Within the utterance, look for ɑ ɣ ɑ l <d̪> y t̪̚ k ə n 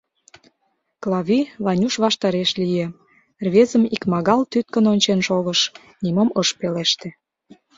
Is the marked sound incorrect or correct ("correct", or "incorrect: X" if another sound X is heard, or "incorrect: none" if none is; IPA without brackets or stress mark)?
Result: incorrect: t̪